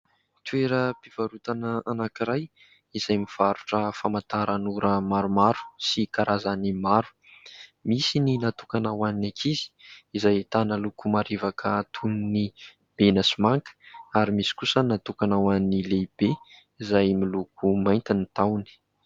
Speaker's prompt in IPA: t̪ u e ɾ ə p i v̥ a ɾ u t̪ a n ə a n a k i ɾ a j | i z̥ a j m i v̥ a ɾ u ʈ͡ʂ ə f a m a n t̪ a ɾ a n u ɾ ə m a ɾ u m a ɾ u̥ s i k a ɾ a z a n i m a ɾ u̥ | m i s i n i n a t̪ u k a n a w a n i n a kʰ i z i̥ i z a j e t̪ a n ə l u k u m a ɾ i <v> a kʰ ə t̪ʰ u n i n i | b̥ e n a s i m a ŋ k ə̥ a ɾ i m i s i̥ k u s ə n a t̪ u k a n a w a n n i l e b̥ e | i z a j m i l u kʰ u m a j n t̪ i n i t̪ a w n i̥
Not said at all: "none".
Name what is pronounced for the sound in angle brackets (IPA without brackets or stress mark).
v